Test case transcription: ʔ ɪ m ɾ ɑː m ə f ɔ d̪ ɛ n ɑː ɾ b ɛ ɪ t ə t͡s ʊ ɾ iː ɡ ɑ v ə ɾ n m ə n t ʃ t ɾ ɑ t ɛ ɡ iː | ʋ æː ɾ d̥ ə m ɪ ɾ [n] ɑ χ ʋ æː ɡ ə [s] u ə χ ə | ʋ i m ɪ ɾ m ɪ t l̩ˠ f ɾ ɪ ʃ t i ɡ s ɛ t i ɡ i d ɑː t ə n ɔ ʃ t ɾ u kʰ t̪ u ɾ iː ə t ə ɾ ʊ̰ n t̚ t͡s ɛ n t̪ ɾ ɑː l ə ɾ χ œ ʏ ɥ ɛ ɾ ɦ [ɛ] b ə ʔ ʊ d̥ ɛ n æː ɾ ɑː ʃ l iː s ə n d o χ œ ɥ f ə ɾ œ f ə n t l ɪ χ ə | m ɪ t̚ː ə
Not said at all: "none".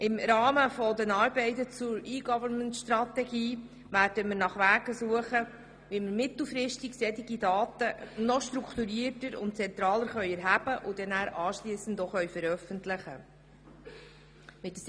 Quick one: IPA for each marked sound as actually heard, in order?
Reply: n, s, æ

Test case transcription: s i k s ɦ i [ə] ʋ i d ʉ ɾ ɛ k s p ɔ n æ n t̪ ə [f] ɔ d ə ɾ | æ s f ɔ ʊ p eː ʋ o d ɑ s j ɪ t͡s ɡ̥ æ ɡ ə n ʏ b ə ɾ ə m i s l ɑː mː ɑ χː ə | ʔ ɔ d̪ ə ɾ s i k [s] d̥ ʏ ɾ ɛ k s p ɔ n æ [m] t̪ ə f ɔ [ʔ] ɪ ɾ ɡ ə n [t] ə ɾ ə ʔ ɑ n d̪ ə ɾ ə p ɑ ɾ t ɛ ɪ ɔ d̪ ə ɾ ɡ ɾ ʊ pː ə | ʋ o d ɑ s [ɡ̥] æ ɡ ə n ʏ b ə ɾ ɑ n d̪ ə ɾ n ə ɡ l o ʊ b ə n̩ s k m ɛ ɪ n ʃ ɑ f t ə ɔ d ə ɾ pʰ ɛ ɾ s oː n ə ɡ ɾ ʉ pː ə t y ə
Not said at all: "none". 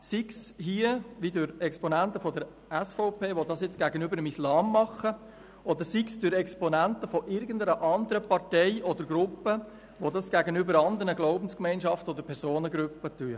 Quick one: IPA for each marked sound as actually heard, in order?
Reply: ə, f, s, n, ʔ, d, ɡ̥

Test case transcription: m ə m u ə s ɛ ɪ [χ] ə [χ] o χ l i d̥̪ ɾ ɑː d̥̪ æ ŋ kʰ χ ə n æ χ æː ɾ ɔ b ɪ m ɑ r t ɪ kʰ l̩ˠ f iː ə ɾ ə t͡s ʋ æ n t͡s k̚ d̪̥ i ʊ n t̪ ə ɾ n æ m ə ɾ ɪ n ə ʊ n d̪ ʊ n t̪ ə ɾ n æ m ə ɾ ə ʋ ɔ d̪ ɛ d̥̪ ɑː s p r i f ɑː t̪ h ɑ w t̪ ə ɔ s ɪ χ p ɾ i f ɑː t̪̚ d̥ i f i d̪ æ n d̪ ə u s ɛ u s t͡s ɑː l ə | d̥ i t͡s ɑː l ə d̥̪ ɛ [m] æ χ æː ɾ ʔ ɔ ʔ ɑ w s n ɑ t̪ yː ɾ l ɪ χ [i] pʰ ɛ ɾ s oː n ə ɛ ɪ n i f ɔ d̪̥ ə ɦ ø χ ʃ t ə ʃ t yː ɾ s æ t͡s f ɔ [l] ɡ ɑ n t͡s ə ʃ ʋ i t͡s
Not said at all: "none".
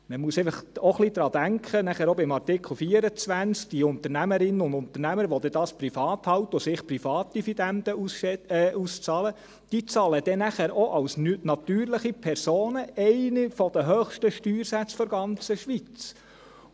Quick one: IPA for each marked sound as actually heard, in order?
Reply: f, χ, n, i, ɾ

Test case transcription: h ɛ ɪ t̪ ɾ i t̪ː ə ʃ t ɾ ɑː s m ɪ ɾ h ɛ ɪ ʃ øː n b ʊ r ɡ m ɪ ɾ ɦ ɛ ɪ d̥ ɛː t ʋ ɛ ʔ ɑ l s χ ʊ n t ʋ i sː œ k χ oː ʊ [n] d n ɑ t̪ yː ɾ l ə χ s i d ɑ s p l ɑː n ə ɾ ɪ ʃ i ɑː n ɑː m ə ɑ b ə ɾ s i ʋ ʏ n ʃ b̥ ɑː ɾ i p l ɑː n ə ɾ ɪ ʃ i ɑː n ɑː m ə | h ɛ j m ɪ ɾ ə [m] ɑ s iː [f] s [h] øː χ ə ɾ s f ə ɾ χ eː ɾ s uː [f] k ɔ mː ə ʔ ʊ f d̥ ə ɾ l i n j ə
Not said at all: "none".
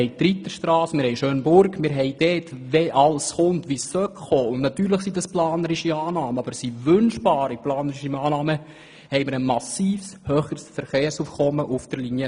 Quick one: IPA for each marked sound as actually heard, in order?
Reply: n, m, f, h, f

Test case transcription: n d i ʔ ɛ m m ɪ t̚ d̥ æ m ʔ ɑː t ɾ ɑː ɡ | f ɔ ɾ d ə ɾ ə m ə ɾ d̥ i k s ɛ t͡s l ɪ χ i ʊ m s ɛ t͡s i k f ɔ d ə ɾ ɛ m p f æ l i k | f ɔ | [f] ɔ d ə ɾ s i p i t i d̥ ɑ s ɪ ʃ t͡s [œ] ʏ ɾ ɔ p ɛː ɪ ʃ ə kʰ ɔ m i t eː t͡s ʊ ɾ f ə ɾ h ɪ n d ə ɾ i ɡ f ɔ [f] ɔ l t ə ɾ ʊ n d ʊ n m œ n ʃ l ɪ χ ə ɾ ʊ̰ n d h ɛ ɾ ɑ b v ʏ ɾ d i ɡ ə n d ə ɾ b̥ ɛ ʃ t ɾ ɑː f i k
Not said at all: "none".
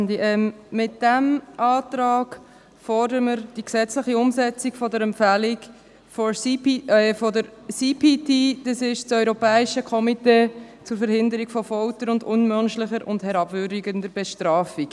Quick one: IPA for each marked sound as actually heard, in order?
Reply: f, œ, f

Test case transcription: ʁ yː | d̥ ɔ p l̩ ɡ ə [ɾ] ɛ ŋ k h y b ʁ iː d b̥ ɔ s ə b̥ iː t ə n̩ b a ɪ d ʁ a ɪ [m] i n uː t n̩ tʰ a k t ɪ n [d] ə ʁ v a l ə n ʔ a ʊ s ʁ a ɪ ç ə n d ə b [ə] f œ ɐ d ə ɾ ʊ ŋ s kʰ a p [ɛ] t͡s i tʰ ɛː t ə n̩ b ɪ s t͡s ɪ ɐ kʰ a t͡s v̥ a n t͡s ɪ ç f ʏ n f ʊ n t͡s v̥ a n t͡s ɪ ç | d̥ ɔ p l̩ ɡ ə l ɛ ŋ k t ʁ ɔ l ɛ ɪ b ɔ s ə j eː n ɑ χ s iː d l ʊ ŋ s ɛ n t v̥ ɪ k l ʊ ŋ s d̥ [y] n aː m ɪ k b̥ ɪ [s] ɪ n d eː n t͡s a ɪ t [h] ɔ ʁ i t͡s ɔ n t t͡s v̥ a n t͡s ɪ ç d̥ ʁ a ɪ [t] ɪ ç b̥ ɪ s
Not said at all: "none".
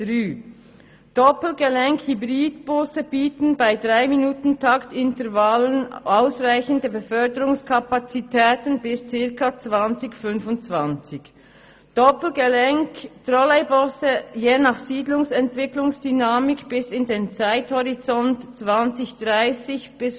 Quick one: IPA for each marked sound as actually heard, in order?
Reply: l, m, t, ə, a, y, s, h, s

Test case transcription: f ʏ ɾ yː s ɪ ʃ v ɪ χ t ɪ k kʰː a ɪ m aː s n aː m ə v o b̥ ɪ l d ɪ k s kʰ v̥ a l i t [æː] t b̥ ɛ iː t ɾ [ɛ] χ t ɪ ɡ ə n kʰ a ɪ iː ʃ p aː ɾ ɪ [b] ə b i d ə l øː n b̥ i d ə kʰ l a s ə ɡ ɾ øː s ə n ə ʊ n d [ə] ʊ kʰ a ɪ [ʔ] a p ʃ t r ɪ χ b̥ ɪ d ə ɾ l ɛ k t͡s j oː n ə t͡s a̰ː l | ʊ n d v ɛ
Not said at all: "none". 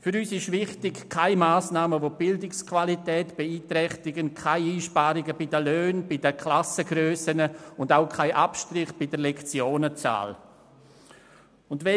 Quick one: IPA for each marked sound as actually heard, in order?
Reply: ɛː, ɛ, ɡ, a, ʔ

